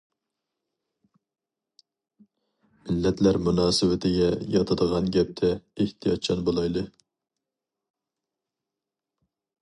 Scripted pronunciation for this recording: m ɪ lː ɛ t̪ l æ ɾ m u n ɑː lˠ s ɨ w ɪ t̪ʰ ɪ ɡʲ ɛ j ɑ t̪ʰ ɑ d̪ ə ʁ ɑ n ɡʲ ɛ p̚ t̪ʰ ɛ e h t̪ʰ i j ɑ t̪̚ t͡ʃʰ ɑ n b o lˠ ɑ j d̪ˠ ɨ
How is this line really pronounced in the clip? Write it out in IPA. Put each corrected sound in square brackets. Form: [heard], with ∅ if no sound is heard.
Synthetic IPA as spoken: m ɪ lː ɛ t̪ l æ ɾ m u n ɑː [∅] s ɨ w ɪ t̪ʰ ɪ ɡʲ ɛ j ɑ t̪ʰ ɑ d̪ ə ʁ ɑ n ɡʲ ɛ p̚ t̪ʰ ɛ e h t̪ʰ i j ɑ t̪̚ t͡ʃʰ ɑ n b o lˠ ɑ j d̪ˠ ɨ